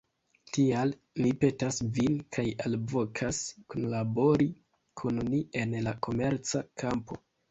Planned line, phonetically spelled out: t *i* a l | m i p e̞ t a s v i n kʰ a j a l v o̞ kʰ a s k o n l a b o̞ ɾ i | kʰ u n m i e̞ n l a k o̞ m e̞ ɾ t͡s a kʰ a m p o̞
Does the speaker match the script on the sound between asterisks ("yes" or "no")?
yes